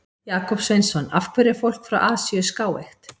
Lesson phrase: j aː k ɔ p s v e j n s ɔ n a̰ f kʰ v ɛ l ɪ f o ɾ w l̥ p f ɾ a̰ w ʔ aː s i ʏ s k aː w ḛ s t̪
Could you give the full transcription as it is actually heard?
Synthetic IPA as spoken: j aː k ɔ p s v e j n s ɔ n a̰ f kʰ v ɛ ɾ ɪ f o w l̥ k f ɾ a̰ w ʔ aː s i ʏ s k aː w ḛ x t̪